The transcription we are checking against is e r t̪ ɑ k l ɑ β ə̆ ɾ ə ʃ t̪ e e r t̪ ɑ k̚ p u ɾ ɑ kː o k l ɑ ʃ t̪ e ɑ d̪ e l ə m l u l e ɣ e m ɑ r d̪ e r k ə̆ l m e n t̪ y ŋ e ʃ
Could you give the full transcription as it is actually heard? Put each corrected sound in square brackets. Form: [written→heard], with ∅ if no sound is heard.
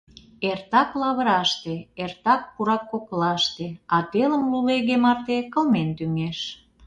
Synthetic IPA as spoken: e r t̪ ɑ k l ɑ β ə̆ ɾ [ə→ɑ] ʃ t̪ e e r t̪ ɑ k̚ p u ɾ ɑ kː o k l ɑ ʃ t̪ e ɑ [d̪→t̪] e l ə m l u l e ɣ e m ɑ r [d̪→t̪] e [r→∅] k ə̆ l m e n t̪ y ŋ e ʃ